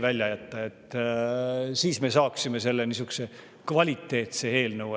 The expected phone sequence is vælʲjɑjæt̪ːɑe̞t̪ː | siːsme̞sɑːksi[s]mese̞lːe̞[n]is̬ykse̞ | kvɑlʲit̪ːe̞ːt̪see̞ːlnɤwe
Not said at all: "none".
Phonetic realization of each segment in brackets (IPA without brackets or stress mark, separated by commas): none, n